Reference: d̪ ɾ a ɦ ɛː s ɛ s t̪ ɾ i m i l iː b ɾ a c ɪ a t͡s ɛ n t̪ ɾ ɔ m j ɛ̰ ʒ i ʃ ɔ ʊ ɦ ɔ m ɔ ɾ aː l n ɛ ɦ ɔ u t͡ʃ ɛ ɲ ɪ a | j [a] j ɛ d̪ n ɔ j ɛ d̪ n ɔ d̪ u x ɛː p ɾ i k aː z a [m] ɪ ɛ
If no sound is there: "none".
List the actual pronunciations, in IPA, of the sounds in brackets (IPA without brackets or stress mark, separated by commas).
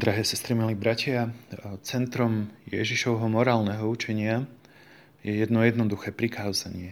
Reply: ɛ, ɲ